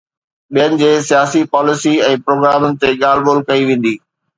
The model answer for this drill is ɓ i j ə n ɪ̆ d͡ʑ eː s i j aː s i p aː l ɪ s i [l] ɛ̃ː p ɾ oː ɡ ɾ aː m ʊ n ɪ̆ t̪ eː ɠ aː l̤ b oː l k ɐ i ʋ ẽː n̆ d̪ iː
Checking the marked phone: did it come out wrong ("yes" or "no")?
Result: yes